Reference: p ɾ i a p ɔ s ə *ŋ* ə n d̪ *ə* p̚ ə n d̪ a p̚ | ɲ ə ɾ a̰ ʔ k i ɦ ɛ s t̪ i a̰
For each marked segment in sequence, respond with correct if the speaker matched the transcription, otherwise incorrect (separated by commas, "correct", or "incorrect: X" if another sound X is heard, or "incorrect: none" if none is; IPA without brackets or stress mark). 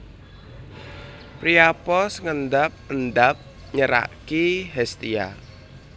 correct, incorrect: a